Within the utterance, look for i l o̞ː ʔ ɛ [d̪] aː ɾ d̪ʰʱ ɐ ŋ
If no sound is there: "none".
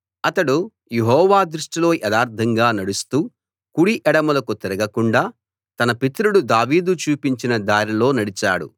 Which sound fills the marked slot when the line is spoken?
d̪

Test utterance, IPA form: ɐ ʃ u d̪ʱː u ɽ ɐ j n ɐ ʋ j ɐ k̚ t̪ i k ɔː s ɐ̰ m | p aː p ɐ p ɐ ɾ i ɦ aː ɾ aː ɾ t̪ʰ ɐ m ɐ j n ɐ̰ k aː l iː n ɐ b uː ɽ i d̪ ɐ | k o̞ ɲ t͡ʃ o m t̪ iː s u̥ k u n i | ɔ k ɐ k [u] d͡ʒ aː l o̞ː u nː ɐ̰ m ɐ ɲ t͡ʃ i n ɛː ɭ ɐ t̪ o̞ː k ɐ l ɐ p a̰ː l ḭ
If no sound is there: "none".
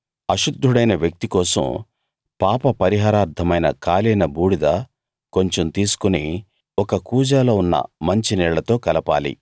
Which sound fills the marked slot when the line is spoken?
uː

